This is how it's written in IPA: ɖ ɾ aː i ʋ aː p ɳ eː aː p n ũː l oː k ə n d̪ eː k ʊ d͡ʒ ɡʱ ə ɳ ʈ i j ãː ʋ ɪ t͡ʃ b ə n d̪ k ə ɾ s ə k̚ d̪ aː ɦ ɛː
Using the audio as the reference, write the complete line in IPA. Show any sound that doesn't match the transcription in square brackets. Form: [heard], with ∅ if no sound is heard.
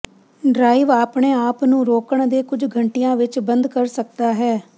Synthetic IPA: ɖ ɾ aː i ʋ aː p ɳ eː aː p n ũː [ɾ] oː k ə [ɳ] d̪ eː k ʊ d͡ʒ ɡʱ ə ɳ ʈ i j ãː ʋ ɪ t͡ʃ b ə n d̪ k ə ɾ s ə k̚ d̪ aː ɦ ɛː

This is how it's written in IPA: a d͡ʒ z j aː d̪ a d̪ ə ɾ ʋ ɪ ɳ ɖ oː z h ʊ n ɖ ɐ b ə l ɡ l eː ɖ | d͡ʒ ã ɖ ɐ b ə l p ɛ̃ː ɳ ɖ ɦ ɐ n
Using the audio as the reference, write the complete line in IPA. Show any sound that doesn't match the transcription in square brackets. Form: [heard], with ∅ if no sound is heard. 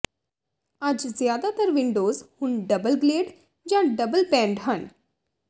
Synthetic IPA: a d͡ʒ z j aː d̪ a [t̪] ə ɾ ʋ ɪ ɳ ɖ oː z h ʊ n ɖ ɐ b ə l ɡ l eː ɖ | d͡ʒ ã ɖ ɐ b ə l p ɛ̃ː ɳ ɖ ɦ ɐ n

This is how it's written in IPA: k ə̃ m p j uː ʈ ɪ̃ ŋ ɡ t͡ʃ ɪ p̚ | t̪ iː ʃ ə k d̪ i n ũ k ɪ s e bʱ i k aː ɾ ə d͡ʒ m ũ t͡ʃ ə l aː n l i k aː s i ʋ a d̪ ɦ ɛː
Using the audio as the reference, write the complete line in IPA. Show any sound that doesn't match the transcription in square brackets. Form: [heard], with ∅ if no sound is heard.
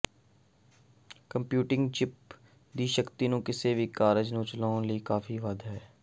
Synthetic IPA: k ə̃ m p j uː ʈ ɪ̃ ŋ ɡ t͡ʃ ɪ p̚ | [d̪] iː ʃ ə k [t̪] i n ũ k ɪ s e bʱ i k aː ɾ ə d͡ʒ [n] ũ t͡ʃ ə l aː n l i k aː [f] i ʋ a d̪ ɦ ɛː

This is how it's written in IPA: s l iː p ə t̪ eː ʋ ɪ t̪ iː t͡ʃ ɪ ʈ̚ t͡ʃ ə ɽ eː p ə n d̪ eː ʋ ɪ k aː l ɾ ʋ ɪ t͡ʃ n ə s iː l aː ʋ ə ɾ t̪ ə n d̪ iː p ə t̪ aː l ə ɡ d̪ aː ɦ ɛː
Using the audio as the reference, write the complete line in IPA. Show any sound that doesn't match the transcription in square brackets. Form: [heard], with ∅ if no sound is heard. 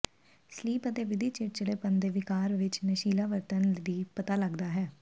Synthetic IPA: s l iː p ə t̪ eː ʋ ɪ [d̪] iː t͡ʃ ɪ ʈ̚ t͡ʃ ə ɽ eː p ə n d̪ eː ʋ ɪ k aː [∅] ɾ ʋ ɪ t͡ʃ n ə [ʃ] iː l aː ʋ ə ɾ t̪ ə n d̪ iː p ə t̪ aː l ə ɡ d̪ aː ɦ ɛː

